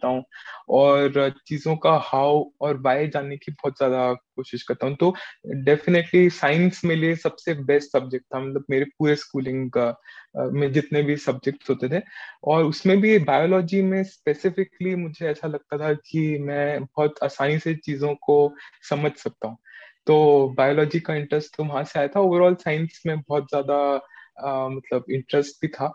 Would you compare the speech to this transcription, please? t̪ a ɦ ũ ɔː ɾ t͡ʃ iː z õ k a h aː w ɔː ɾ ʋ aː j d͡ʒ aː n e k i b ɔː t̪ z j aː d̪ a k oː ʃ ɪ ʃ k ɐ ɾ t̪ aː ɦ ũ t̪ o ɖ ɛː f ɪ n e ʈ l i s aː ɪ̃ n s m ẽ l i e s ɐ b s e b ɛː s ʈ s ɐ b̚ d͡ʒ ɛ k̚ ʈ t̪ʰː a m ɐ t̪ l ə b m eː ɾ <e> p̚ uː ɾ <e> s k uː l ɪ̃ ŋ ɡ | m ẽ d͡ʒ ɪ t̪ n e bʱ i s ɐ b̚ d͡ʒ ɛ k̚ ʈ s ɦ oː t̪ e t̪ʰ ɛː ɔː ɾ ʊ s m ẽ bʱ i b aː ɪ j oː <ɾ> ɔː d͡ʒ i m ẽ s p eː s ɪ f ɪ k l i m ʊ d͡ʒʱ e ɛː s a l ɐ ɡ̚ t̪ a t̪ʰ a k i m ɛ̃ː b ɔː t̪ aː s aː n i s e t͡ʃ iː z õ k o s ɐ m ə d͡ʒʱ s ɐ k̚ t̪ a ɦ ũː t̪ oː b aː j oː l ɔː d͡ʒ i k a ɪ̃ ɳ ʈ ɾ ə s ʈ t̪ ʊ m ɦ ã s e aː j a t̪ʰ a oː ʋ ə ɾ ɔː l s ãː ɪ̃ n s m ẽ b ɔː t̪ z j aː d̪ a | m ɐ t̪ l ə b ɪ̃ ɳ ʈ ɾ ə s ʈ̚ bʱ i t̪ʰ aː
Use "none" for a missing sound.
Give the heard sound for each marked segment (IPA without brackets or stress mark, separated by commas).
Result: e, e, l